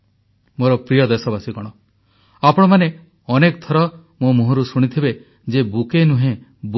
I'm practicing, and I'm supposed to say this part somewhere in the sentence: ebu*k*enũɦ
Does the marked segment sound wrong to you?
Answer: no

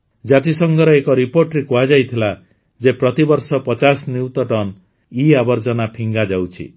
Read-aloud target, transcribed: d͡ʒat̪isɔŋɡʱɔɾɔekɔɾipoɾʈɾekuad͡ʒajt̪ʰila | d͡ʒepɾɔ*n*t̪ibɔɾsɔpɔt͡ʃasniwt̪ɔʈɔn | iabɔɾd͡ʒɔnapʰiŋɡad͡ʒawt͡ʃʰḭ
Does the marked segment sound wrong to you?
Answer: yes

